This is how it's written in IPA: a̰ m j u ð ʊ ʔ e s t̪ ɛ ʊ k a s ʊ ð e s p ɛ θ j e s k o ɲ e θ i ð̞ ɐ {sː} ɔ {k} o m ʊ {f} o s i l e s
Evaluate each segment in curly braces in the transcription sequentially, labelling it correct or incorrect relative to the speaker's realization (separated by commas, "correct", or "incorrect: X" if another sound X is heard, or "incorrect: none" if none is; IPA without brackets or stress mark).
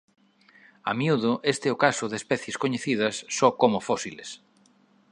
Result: correct, correct, correct